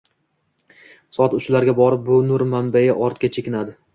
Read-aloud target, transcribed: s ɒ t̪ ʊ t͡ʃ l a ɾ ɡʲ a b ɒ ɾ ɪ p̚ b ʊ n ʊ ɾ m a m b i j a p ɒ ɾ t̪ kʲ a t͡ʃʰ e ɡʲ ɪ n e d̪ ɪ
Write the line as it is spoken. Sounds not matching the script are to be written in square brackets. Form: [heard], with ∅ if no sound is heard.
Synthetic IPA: s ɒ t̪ ʊ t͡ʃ l a ɾ ɡʲ a b ɒ ɾ ɪ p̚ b ʊ n ʊ ɾ m a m b [a] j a [ʔ] ɒ ɾ t̪ kʲ a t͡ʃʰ e [kʲ] ɪ n [a] d̪ ɪ